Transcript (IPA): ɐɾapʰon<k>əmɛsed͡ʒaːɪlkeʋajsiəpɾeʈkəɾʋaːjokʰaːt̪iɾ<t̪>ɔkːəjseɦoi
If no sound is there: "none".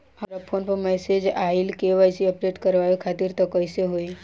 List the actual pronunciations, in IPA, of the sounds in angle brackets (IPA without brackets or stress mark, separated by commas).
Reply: p, t̪